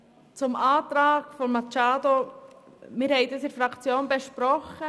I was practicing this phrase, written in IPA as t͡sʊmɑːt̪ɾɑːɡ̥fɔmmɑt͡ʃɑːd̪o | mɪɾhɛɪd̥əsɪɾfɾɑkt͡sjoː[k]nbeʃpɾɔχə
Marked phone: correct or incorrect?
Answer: incorrect